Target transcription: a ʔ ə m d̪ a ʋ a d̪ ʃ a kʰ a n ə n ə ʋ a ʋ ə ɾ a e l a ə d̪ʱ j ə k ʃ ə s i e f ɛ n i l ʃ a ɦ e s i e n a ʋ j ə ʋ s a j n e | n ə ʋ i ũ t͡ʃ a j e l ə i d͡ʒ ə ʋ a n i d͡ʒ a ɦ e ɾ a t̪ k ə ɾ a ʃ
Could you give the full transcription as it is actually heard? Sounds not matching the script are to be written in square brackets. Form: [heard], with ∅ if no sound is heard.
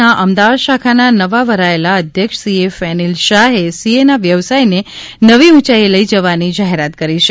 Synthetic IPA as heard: a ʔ ə m d̪ a ʋ a d̪ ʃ a kʰ a n [a] n ə ʋ a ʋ ə ɾ a e l a ə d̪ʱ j ə k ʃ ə s i e f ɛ n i l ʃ a ɦ e s i e n a ʋ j ə ʋ s a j n e | n ə ʋ i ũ t͡ʃ a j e l ə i d͡ʒ ə ʋ a n i d͡ʒ a ɦ e ɾ a t̪ k ə ɾ [i] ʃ